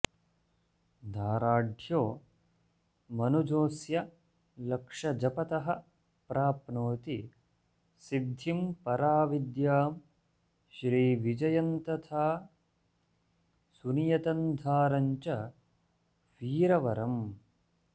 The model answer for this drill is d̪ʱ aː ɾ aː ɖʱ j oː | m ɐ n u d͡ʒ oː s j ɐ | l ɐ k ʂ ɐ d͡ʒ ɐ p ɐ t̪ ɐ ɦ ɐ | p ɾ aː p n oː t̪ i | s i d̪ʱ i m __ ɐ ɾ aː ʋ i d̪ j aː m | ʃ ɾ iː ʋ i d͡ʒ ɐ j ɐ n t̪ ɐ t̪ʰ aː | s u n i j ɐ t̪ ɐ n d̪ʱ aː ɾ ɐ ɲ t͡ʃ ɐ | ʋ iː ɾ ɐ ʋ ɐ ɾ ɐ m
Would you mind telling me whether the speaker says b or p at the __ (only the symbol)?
p